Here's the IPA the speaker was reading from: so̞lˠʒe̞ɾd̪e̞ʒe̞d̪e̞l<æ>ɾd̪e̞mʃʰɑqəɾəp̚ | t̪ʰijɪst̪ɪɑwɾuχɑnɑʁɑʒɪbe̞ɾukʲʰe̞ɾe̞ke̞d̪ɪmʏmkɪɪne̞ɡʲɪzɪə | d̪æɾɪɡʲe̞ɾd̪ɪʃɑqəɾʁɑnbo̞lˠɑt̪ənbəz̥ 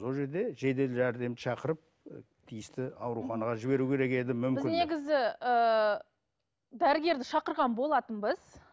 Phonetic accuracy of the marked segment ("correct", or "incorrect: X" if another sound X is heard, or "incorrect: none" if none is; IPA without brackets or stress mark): correct